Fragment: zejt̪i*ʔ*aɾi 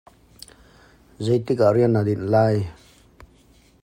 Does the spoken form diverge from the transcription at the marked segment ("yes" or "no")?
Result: yes